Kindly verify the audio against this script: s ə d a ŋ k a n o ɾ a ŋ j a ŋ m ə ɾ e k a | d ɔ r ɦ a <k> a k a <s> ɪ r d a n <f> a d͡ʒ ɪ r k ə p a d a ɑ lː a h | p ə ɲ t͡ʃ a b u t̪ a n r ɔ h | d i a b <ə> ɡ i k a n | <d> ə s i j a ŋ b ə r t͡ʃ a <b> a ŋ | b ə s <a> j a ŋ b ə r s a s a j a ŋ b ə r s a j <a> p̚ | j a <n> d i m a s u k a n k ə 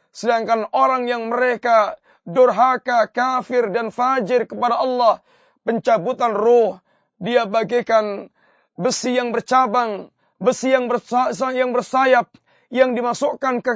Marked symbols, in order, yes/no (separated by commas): yes, no, yes, no, no, yes, no, yes, no